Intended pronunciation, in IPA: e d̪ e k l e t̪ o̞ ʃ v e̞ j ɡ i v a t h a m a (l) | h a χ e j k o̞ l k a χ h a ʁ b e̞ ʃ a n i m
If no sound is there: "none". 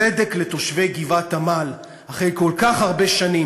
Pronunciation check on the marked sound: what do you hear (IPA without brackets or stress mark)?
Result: l